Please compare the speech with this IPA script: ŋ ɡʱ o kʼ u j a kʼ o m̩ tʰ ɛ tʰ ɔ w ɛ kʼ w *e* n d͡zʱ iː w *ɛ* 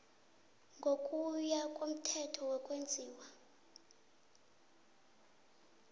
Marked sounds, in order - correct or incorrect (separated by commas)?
correct, incorrect